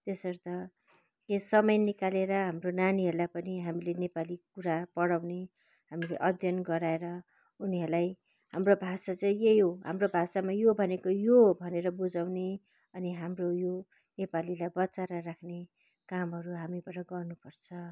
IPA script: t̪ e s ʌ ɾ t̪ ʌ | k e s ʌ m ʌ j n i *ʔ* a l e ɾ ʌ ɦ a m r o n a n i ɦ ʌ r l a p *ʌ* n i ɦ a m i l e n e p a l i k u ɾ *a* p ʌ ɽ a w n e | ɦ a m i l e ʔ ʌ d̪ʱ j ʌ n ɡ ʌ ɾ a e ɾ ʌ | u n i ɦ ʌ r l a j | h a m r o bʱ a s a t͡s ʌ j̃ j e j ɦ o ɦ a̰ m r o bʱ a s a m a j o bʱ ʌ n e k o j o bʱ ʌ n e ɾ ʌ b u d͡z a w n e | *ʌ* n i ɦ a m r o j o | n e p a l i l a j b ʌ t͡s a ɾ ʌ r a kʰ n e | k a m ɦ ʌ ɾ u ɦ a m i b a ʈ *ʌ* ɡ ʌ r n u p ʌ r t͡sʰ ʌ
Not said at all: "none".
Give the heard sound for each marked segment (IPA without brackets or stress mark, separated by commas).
k, ʌ, a, ʌ, ʌ